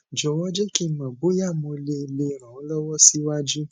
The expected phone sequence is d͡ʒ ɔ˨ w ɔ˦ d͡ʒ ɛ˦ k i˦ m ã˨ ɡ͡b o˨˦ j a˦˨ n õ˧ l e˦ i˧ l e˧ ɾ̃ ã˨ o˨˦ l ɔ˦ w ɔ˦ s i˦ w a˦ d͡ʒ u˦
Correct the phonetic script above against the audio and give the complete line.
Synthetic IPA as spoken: d͡ʒ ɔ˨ w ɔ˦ d͡ʒ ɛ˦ k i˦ m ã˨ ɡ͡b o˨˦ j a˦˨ m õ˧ l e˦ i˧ l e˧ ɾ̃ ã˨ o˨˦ l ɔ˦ w ɔ˦ s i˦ w a˦ d͡ʒ u˦